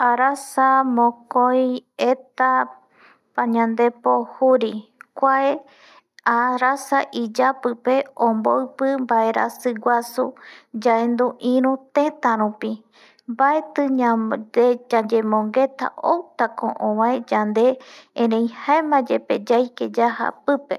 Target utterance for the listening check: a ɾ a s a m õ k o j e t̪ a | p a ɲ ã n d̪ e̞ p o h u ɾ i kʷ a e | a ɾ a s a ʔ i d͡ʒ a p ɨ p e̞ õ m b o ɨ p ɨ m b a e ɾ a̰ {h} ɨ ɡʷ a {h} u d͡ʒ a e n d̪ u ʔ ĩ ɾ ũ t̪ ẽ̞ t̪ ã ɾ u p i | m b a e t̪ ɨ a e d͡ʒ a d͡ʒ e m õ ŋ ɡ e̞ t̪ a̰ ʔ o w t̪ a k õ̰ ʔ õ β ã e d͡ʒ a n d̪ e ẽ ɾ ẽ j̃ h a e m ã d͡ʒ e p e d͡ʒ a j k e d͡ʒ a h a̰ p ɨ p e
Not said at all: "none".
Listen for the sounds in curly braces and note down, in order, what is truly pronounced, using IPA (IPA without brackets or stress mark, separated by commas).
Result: s, s